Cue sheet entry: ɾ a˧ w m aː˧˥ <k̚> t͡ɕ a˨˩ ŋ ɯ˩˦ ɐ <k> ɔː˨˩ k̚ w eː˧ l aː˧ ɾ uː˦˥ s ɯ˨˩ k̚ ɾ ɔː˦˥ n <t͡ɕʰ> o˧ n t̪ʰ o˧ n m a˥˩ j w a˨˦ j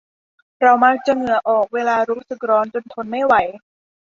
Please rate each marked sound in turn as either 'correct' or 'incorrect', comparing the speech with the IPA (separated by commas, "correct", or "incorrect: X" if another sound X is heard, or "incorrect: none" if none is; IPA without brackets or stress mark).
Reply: correct, incorrect: ʔ, incorrect: t͡ɕ